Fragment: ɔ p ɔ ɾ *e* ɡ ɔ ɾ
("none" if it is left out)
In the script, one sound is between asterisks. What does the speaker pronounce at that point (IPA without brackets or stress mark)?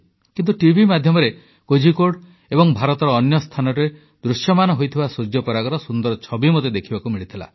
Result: a